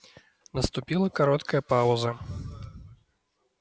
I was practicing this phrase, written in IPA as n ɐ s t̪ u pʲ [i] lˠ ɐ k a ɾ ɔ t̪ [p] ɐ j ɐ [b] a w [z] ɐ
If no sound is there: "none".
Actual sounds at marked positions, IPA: i, k, p, z

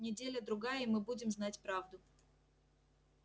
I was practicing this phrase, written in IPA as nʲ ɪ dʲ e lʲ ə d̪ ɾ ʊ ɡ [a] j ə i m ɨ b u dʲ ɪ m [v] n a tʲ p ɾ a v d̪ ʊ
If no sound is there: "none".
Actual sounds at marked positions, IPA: a, z

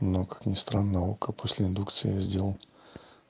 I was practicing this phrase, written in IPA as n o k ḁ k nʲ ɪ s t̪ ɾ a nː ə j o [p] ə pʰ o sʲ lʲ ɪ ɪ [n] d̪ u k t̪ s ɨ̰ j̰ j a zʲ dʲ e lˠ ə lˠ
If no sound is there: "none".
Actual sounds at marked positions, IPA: k, n

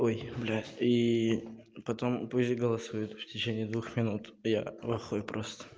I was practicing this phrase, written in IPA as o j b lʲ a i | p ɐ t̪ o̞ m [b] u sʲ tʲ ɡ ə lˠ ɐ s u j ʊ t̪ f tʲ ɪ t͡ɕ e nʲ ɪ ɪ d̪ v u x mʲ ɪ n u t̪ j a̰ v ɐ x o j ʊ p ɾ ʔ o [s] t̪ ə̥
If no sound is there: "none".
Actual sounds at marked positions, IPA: p, s

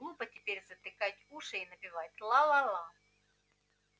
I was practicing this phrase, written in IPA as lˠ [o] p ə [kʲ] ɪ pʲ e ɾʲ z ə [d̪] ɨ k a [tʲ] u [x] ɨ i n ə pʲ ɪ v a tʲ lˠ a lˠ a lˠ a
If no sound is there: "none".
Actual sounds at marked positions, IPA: u, tʲ, t̪, tʲ, ʂ

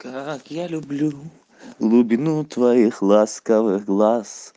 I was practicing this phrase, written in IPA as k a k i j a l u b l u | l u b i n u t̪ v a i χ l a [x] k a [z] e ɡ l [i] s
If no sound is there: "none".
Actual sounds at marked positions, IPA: s, v, a

